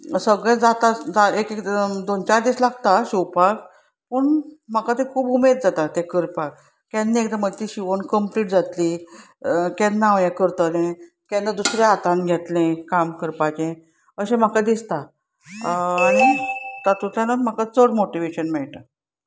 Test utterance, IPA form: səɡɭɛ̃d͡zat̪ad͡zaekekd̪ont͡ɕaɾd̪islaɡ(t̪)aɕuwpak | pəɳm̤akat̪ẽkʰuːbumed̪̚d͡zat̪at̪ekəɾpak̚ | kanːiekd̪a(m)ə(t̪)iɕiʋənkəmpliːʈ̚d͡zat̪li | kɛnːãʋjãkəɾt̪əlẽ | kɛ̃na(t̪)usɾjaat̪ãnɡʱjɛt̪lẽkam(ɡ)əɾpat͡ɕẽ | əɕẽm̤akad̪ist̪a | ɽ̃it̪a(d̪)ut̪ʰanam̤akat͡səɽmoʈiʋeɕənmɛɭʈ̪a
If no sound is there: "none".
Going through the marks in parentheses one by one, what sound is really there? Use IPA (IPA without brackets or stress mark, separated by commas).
t̪, m, t̪, d̪, k, t̪